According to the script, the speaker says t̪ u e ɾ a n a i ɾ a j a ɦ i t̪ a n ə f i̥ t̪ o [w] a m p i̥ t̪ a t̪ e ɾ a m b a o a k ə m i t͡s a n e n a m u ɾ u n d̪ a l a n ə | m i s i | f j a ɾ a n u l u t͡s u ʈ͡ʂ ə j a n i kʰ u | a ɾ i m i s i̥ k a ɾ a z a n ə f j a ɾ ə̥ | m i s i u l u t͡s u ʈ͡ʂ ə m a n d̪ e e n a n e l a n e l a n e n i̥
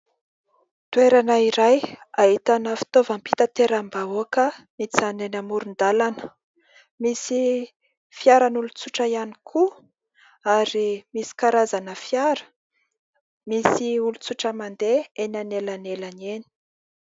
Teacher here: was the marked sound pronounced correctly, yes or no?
no